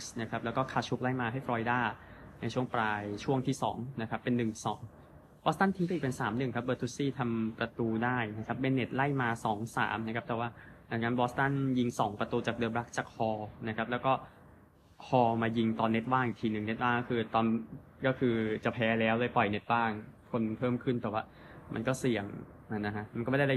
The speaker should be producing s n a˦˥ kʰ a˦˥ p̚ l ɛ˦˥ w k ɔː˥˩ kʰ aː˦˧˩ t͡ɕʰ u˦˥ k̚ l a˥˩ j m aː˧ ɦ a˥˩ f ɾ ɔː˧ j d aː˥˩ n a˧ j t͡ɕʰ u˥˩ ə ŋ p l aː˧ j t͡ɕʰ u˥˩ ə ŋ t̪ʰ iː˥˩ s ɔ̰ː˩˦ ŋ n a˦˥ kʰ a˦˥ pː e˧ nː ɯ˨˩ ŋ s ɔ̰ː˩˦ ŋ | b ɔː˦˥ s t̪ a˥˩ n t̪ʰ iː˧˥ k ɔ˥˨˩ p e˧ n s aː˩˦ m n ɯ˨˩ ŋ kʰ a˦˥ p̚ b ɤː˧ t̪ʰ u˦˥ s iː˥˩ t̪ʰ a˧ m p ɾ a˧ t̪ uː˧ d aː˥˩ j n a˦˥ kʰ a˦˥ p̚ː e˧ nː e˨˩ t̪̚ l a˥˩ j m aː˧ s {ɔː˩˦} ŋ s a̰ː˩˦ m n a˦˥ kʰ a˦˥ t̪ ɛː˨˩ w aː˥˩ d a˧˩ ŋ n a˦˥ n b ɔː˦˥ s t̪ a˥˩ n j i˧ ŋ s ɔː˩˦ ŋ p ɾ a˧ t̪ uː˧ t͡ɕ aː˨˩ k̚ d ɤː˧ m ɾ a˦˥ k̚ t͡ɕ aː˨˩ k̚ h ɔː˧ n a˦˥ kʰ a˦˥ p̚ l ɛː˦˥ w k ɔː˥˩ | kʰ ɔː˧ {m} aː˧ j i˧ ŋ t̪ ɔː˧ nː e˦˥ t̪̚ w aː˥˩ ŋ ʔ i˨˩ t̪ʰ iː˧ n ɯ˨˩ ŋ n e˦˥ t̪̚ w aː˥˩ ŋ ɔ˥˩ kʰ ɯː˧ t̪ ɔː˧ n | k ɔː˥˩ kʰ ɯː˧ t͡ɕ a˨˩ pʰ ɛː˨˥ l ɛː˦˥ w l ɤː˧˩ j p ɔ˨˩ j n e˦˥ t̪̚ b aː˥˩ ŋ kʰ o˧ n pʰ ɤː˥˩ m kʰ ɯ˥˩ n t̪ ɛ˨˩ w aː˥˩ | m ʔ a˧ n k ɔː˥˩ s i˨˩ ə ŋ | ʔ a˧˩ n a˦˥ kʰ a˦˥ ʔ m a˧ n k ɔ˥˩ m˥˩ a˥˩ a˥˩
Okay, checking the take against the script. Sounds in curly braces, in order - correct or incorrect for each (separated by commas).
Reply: correct, correct